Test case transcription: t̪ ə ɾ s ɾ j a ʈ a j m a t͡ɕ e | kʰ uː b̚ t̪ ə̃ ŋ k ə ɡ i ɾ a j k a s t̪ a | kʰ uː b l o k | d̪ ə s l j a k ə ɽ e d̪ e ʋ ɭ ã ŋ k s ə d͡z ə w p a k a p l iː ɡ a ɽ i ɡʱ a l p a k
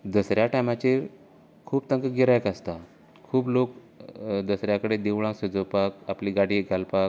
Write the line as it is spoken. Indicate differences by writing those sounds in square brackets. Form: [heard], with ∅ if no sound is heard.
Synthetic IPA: [d̪] ə [∅] s ɾ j a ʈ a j m a t͡ɕ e | kʰ uː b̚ t̪ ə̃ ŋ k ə ɡ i ɾ a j k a s t̪ a | kʰ uː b l o k | d̪ ə s [ɾ] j a k ə ɽ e d̪ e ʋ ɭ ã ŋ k s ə d͡z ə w p a k a p l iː ɡ a ɽ i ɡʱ a l p a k